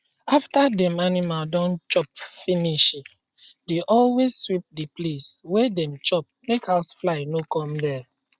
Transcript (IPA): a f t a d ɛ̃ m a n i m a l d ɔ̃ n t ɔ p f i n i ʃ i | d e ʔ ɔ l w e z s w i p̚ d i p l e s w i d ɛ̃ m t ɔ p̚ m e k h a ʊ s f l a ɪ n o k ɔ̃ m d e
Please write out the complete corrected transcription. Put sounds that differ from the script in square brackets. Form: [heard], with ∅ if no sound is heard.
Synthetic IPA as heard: a f t a d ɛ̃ m a n i m a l d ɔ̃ n [t͡ʃ] ɔ p f i n i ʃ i | d e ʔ ɔ l w e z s w i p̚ d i p l e s w [e] d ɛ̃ m [t͡ʃ] ɔ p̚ m e k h a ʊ s f l a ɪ n o k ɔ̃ m d [ɛ]